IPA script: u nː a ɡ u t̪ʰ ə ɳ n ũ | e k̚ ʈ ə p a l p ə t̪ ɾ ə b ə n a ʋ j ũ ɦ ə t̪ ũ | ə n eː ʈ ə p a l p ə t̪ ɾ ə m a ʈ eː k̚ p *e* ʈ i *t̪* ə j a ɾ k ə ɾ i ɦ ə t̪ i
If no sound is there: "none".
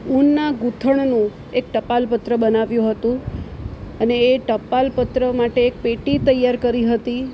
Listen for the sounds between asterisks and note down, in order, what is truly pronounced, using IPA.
e, t̪

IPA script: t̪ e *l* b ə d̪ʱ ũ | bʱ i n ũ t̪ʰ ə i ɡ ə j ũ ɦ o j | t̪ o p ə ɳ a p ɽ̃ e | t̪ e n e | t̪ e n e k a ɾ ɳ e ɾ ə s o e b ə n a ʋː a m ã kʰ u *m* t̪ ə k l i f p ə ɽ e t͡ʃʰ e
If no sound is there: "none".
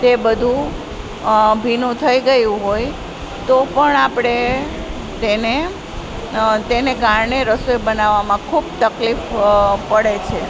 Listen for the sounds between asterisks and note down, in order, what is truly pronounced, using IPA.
none, b

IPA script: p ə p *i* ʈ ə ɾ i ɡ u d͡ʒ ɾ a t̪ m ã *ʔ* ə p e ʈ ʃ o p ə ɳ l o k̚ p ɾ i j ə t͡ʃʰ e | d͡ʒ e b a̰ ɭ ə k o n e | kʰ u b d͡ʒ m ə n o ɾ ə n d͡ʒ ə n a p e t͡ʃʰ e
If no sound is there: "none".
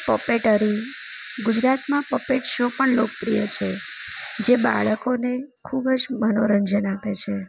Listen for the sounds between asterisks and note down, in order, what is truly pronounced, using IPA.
e, p

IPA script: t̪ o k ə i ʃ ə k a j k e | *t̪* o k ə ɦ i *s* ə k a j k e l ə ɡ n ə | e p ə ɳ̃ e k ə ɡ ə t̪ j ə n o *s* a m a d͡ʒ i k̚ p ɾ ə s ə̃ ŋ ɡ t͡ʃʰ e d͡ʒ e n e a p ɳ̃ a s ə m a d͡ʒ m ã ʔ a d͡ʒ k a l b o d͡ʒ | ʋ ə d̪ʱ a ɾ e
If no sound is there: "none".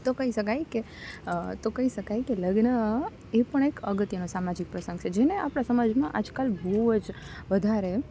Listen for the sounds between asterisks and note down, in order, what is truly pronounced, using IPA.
t̪, ʃ, s

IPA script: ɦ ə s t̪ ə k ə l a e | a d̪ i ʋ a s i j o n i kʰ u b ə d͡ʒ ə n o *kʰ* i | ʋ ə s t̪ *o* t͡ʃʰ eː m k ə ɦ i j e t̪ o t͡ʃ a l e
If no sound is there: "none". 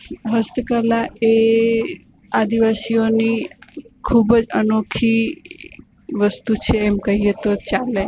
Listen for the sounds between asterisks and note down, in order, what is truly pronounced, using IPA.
kʰ, u

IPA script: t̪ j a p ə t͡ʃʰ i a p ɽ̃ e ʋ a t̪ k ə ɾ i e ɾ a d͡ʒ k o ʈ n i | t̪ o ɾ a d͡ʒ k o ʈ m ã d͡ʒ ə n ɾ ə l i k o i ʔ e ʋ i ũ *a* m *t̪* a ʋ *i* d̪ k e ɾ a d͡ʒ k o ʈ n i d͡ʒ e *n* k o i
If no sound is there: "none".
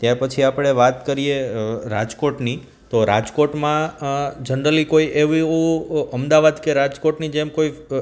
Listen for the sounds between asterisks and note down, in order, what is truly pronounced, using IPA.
ə, d̪, a, m

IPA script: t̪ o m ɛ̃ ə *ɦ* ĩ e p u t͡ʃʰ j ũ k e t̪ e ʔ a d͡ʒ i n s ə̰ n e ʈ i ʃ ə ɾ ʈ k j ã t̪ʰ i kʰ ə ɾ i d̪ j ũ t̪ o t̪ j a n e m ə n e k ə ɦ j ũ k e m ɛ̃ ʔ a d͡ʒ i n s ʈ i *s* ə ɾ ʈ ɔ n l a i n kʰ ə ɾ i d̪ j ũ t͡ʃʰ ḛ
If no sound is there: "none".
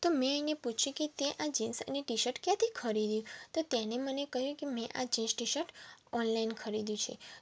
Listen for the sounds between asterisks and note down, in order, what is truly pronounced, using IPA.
none, ʃ

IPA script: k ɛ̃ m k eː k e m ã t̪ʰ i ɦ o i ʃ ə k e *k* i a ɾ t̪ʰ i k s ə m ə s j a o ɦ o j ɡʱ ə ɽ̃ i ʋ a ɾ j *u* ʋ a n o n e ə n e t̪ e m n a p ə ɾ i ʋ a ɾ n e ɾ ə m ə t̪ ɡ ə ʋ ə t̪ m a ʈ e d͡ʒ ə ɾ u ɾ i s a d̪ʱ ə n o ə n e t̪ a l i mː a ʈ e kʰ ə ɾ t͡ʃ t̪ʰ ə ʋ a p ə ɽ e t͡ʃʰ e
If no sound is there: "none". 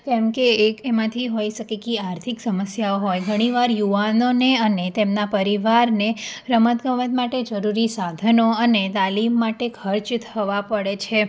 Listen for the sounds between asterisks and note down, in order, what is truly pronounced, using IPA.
k, u

